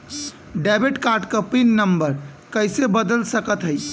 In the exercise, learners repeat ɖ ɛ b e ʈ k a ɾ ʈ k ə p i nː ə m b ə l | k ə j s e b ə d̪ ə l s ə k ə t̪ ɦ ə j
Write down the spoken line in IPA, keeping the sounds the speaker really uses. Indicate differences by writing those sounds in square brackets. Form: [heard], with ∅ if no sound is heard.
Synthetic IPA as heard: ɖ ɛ b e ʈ k a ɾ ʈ k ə p i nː ə m b ə [ɾ] | k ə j s e b ə d̪ ə l s ə k ə t̪ ɦ ə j